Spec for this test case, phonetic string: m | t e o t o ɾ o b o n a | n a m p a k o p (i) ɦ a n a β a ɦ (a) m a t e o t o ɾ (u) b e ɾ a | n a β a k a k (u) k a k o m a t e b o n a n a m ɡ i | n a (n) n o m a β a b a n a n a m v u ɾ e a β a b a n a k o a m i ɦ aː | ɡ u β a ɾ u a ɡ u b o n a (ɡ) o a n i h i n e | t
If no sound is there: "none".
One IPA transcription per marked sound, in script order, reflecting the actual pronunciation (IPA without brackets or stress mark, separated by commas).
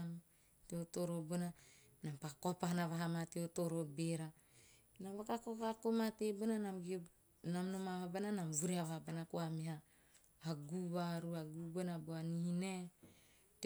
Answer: a, a, o, o, m, b